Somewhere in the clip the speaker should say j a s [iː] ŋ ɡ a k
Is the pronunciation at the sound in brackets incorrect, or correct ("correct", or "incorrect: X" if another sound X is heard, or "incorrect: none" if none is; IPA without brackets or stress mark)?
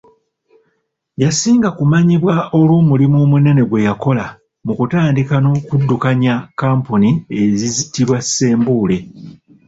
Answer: correct